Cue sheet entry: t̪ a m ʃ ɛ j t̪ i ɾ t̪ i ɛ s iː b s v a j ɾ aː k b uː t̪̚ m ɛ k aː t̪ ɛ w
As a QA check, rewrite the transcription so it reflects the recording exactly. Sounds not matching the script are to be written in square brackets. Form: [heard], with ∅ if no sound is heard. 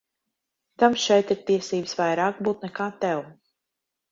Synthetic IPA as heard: t̪ a m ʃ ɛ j t̪ i ɾ t̪ i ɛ s iː b s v a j ɾ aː k b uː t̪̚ [n] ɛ k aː t̪ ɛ w